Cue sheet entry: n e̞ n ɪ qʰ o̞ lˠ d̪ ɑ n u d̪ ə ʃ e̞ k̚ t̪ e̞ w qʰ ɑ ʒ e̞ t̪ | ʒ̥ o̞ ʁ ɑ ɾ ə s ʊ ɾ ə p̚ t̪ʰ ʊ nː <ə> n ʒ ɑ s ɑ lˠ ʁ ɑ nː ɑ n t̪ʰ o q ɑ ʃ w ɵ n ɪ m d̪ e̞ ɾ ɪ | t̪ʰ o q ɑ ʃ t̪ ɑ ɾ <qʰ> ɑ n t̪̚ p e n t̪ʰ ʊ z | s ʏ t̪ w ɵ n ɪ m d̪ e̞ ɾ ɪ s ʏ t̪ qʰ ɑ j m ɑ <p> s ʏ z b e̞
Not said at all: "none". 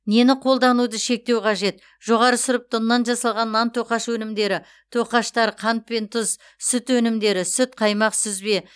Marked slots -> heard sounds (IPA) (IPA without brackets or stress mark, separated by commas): ɑ, qʰ, q